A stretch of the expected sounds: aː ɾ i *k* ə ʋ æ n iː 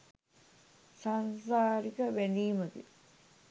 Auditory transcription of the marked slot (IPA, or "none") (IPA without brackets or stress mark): k